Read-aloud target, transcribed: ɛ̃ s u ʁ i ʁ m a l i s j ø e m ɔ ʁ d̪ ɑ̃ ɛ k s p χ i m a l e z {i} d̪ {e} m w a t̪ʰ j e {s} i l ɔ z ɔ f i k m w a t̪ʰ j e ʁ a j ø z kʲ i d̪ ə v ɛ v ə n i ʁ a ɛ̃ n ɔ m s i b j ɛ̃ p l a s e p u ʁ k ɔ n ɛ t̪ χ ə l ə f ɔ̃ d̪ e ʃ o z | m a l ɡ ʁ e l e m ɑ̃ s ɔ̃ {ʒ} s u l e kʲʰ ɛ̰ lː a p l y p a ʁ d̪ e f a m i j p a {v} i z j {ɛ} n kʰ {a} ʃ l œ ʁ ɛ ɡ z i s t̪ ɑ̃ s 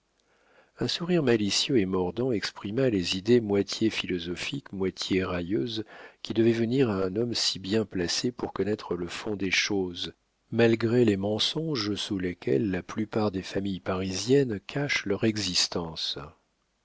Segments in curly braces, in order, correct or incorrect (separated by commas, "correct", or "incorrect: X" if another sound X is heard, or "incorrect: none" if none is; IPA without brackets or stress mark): correct, correct, incorrect: f, correct, incorrect: ʁ, correct, correct